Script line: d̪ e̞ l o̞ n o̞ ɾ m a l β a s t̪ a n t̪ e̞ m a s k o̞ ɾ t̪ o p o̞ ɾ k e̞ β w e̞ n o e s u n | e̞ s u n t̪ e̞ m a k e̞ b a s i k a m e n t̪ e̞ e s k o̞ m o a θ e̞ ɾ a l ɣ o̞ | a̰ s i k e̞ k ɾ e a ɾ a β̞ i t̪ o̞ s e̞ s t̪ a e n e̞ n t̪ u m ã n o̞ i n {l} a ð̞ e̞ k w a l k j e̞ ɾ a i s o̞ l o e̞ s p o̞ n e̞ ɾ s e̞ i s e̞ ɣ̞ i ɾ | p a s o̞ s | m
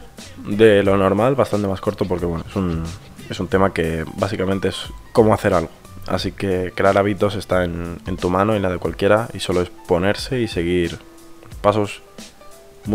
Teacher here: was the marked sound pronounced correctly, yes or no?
yes